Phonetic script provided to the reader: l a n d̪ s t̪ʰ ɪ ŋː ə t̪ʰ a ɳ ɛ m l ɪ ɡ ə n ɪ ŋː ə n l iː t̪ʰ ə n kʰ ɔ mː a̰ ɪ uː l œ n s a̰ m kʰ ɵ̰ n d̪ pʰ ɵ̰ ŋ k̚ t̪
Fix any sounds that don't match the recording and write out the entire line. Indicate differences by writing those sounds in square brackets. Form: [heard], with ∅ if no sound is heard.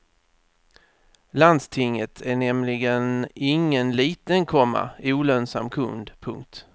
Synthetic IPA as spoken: l a n d̪ s t̪ʰ ɪ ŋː ə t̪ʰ [æ] ɳ ɛ m l ɪ ɡ ə n ɪ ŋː ə n l iː [t̪] ə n kʰ ɔ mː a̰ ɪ uː l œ n s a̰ m kʰ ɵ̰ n d̪ pʰ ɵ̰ ŋ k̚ t̪